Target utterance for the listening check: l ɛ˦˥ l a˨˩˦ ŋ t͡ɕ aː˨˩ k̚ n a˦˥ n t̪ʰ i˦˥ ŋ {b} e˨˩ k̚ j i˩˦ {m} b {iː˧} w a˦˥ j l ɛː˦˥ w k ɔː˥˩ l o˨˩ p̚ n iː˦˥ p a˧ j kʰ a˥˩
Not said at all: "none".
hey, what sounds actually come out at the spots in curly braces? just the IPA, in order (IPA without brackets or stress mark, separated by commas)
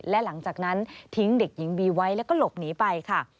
d, ŋ, iː˧